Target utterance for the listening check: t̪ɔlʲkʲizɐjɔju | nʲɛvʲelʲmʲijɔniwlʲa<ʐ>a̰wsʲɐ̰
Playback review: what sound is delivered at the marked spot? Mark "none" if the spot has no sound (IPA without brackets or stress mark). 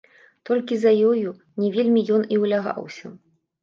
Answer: ɣ